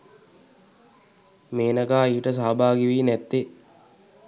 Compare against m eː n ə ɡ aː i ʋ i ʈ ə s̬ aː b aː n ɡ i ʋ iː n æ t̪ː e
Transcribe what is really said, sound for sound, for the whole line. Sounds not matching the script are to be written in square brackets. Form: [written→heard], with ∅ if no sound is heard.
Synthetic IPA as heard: m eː n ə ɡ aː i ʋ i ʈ ə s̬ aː b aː [n→∅] ɡ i ʋ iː n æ t̪ː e